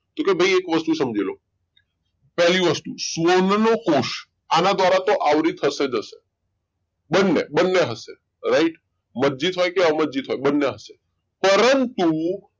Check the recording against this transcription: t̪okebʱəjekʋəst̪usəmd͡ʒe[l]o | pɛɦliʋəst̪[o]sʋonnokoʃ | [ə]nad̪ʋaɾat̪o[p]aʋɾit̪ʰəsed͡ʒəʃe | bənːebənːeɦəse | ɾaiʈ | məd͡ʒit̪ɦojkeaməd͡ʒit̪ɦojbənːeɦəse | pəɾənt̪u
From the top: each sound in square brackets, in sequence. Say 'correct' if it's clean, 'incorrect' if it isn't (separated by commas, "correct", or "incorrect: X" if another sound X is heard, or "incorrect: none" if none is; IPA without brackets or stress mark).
correct, incorrect: u, incorrect: a, incorrect: ʔ